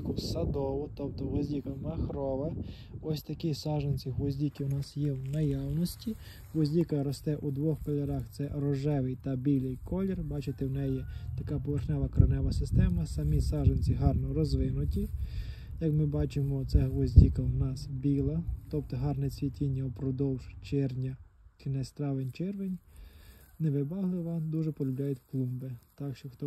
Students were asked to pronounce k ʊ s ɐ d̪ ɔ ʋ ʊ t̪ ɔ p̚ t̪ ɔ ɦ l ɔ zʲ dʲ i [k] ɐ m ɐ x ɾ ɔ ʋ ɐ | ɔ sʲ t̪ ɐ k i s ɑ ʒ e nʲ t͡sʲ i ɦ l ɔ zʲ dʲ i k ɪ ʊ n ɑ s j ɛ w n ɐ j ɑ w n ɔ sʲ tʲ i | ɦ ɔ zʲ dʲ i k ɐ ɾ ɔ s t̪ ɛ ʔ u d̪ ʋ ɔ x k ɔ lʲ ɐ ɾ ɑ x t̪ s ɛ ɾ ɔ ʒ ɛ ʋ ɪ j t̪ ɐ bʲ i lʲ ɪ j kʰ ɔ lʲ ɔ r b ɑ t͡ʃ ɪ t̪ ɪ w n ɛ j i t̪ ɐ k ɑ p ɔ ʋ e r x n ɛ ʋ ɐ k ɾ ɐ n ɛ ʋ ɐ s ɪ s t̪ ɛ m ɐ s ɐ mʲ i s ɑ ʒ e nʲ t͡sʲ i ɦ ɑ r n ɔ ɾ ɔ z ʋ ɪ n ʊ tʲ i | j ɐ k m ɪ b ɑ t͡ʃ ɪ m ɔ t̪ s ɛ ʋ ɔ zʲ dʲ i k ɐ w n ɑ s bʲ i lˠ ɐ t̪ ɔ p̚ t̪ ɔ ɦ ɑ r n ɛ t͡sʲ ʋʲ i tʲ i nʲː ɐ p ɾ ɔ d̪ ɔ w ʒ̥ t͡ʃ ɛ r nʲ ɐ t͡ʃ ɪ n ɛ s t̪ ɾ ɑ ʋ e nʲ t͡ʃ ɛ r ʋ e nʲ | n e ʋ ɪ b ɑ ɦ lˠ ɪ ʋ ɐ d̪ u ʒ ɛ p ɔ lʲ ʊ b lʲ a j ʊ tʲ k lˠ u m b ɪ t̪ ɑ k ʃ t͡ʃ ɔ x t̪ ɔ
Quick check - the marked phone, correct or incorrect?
correct